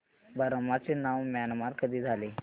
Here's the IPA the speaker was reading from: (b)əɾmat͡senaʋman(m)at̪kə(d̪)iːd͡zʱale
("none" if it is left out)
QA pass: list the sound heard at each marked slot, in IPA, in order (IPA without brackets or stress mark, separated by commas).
b, m, d̪